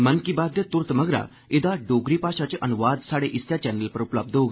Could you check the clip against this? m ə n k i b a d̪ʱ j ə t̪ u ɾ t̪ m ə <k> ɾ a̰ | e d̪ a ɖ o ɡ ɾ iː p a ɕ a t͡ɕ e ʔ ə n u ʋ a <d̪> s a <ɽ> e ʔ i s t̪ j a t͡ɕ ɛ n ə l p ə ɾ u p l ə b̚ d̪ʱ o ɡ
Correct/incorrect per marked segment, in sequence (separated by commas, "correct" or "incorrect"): incorrect, correct, correct